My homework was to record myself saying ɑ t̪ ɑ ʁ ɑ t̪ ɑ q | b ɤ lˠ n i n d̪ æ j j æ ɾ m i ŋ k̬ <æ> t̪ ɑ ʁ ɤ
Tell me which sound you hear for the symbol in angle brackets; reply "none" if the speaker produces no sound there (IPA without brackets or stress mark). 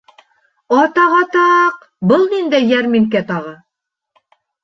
æ